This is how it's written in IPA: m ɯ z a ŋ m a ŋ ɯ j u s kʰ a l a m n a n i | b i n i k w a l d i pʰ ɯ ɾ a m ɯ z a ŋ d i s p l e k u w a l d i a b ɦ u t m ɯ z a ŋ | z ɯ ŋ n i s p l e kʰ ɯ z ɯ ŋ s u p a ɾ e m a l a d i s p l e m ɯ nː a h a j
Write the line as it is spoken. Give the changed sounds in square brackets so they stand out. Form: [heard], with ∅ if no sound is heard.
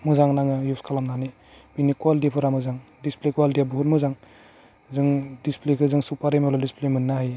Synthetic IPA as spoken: m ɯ z a ŋ [n] a ŋ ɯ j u s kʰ a l a m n a n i | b i n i k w a l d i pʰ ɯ ɾ a m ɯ z a ŋ d i s p l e k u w a l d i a b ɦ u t m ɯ z a ŋ | z ɯ ŋ [d] i s p l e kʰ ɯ z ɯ ŋ s u p a ɾ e m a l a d i s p l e m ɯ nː a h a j